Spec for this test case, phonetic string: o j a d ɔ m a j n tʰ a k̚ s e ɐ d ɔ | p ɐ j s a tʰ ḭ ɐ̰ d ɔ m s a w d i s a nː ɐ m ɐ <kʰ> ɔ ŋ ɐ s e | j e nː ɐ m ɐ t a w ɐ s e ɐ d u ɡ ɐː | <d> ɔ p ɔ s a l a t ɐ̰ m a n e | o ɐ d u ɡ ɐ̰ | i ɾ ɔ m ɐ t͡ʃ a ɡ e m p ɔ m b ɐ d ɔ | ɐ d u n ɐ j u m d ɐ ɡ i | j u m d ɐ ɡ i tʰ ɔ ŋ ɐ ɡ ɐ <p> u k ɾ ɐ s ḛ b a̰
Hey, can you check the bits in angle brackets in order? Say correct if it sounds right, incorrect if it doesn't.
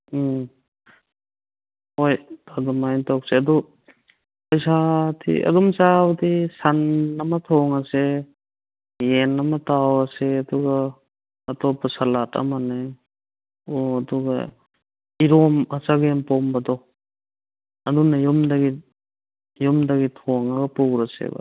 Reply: incorrect: tʰ, incorrect: t, correct

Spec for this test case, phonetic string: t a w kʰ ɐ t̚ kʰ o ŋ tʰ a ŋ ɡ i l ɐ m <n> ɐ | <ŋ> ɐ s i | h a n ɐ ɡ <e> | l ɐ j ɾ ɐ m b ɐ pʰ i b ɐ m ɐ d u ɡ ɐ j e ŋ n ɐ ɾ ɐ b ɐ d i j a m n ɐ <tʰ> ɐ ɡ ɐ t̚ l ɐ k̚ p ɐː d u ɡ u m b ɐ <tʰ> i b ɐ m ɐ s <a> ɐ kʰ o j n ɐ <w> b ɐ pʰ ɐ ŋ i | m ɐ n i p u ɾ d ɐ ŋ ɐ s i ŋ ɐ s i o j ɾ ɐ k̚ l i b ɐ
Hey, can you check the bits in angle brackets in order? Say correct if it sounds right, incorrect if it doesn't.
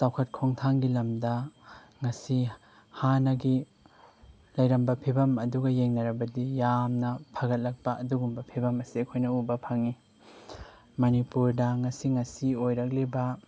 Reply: incorrect: d, correct, incorrect: i, incorrect: pʰ, incorrect: pʰ, incorrect: i, incorrect: u

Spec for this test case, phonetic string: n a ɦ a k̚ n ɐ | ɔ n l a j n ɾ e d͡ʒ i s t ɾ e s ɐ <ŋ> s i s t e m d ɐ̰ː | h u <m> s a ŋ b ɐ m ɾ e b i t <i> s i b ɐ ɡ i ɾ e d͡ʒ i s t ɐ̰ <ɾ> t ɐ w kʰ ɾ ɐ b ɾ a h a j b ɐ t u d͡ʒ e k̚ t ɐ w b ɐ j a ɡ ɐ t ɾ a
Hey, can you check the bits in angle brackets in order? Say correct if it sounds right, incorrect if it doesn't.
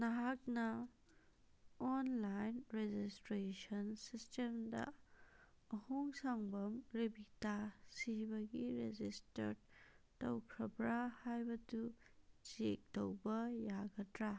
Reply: incorrect: n, incorrect: ŋ, incorrect: a, correct

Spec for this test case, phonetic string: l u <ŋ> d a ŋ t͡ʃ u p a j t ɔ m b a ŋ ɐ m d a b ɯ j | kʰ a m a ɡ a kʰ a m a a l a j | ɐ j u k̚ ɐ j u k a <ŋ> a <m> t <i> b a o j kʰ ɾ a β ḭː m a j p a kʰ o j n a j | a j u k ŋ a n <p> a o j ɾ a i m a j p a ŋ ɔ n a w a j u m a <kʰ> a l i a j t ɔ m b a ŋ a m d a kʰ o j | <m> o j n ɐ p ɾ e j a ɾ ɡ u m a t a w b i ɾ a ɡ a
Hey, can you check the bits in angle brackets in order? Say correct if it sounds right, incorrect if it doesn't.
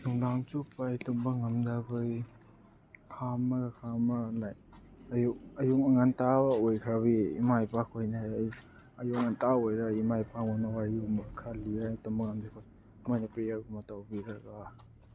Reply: correct, correct, incorrect: n, incorrect: a, incorrect: t, correct, correct

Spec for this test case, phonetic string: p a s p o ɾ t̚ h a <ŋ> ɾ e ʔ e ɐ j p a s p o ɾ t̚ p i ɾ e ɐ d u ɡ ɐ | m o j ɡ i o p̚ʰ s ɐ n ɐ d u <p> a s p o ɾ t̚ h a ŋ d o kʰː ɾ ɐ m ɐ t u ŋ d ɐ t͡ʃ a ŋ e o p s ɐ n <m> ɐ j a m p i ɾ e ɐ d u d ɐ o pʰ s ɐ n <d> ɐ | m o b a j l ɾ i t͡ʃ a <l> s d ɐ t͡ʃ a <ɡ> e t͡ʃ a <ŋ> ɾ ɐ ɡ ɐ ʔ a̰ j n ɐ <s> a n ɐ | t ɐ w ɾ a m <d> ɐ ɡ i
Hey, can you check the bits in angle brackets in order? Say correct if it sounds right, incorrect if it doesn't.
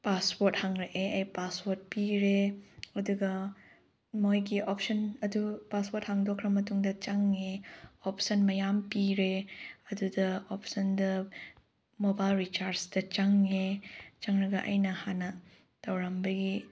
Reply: correct, correct, correct, correct, incorrect: ɾ, incorrect: ŋ, correct, incorrect: h, incorrect: b

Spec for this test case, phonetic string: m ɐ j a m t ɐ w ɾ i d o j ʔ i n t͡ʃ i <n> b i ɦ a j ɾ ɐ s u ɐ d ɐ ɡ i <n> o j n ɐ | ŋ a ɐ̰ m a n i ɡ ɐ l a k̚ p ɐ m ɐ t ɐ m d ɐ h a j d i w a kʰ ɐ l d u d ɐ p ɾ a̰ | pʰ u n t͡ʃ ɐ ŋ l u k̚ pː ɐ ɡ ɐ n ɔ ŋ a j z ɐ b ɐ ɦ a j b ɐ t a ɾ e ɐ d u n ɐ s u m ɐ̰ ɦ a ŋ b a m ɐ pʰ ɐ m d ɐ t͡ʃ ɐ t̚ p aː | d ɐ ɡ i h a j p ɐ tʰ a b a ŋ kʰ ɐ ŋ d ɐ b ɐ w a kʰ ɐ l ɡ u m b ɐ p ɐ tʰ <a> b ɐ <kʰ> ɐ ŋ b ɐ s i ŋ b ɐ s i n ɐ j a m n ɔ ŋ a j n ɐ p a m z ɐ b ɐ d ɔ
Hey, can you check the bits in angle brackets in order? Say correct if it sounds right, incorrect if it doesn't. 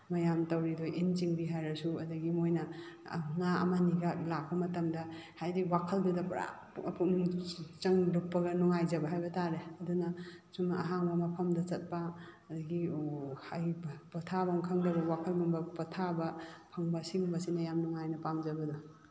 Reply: incorrect: ŋ, incorrect: m, correct, incorrect: pʰ

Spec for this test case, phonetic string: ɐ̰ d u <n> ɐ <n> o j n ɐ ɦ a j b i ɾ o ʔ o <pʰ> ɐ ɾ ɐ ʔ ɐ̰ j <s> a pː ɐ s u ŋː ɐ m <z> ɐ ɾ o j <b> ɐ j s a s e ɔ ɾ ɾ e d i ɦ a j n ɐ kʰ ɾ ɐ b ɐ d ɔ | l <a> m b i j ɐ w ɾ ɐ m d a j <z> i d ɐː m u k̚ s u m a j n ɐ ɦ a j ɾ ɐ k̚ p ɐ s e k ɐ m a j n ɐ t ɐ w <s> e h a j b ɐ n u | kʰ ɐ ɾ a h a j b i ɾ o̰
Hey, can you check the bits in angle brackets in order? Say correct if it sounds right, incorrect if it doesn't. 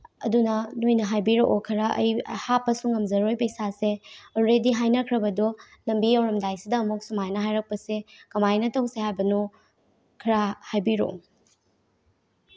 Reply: correct, correct, incorrect: kʰ, incorrect: h, correct, incorrect: p, incorrect: ɐ, incorrect: s, correct

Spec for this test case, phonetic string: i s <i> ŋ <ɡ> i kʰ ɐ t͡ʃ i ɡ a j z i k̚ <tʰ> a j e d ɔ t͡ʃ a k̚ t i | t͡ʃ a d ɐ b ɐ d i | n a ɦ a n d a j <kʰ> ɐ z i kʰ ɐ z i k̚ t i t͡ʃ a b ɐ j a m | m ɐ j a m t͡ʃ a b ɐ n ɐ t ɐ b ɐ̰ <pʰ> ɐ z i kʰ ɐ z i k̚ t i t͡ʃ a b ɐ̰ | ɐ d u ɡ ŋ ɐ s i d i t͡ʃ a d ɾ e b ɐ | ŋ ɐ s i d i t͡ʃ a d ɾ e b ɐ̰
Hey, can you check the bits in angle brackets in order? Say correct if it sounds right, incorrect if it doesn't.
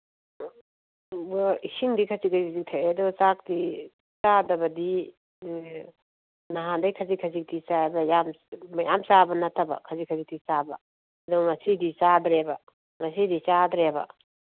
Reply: correct, incorrect: d, correct, correct, incorrect: kʰ

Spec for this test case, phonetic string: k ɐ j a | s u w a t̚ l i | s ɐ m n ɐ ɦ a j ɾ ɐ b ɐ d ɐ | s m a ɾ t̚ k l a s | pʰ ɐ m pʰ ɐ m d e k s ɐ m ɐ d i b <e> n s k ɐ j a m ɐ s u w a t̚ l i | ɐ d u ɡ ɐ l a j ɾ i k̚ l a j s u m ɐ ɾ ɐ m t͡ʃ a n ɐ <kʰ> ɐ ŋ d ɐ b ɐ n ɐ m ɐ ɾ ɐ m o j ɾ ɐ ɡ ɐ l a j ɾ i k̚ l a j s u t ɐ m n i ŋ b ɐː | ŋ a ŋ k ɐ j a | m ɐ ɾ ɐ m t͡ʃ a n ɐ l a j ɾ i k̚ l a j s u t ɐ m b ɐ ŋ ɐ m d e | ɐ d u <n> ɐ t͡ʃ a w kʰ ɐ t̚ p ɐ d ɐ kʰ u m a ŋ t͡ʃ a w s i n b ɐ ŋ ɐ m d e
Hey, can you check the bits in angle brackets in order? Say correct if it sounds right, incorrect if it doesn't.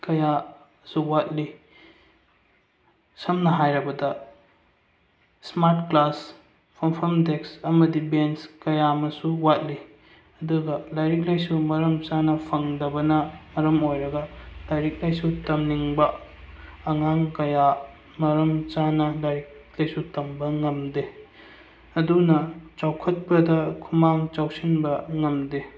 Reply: correct, incorrect: pʰ, correct

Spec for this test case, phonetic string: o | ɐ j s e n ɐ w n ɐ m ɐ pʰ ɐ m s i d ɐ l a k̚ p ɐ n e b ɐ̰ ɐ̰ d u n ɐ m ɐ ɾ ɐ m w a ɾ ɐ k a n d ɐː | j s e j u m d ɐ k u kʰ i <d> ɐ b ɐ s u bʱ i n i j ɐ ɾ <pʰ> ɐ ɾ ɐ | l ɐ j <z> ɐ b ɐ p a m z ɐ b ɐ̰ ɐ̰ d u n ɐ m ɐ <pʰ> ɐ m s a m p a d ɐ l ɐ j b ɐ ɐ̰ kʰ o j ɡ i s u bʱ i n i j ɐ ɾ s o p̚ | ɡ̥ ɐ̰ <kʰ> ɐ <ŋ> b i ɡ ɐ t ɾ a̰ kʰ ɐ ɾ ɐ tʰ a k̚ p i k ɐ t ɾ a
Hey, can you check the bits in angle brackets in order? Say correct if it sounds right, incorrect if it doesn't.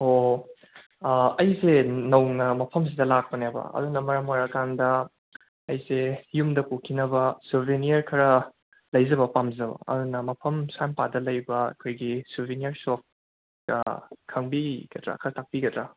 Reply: incorrect: n, incorrect: kʰ, correct, correct, correct, correct

